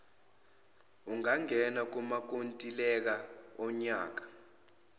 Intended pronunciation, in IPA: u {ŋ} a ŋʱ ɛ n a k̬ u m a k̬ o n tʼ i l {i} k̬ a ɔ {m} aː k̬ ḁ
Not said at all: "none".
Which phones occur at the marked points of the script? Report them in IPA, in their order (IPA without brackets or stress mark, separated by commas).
ŋ, ɛ, ɲ